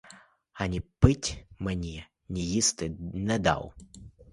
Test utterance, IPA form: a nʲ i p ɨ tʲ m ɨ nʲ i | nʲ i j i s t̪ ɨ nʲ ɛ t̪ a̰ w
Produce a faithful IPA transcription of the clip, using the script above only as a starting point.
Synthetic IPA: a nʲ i p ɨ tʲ m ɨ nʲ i | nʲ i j i s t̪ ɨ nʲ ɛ d̪ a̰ w